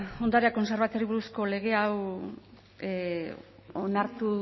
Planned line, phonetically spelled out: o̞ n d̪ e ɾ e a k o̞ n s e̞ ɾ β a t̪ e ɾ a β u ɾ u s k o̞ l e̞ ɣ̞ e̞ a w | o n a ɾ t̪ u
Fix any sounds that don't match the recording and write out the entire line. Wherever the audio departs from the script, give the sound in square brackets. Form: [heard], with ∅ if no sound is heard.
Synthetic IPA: o̞ n d̪ [a] ɾ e a k o̞ n s e̞ ɾ β a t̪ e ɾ [i] β u ɾ u s k o̞ l e̞ ɣ̞ e̞ a w | o n a ɾ t̪ u